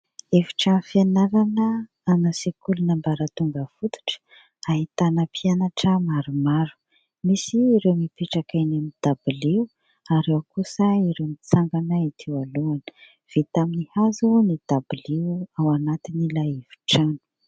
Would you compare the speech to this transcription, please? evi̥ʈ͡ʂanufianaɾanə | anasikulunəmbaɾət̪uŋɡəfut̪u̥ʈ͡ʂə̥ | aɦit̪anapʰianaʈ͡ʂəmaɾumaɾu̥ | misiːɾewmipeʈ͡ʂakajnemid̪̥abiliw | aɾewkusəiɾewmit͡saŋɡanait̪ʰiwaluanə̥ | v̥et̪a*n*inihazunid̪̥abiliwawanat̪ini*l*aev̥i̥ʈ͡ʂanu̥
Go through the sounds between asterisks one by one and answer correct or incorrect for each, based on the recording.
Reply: incorrect: m, correct

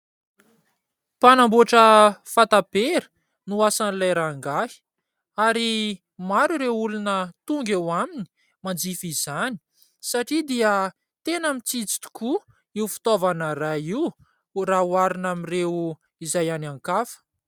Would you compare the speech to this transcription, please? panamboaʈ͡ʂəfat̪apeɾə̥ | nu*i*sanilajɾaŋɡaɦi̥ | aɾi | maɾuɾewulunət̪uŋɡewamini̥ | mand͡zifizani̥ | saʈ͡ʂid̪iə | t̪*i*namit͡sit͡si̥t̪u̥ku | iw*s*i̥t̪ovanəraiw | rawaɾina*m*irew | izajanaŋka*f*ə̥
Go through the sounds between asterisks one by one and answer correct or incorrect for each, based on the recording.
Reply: incorrect: a, incorrect: e, incorrect: f, correct, correct

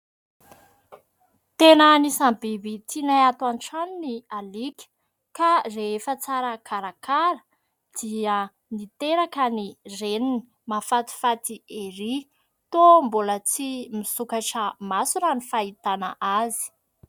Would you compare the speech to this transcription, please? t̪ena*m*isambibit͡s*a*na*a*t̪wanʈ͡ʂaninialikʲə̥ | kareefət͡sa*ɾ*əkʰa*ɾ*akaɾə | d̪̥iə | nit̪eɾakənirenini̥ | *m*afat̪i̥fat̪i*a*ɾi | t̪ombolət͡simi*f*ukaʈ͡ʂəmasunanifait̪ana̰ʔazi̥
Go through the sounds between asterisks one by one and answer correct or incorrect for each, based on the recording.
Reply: incorrect: n, incorrect: i, correct, correct, correct, correct, incorrect: e, incorrect: s

